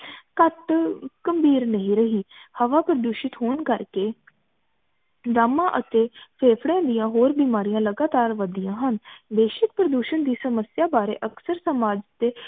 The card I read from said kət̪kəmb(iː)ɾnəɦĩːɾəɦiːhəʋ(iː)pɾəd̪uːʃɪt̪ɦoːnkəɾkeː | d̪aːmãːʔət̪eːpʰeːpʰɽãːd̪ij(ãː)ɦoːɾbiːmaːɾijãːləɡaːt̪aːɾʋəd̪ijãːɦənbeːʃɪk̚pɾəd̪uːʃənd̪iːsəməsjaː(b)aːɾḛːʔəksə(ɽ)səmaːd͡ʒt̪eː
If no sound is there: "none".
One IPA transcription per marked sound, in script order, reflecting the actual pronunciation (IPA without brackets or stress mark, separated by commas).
iː, aː, ãː, b, ɾ